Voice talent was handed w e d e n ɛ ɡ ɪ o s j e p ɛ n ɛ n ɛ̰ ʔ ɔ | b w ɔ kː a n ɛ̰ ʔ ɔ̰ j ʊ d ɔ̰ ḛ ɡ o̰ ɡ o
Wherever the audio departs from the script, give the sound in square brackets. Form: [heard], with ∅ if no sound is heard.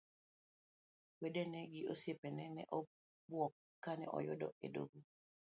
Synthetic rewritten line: w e d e n ɛ ɡ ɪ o s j e p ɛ n ɛ n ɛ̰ ʔ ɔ | b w ɔ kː a n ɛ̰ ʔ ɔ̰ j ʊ d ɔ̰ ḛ [d] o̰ ɡ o